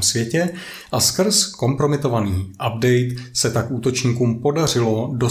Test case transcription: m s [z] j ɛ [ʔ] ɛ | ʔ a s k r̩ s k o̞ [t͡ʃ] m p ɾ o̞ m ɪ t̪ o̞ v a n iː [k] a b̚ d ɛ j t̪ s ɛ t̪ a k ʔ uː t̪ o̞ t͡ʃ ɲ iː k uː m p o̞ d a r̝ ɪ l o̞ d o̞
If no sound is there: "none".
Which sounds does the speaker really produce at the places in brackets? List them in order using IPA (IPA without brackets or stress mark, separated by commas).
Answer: v, c, none, ʔ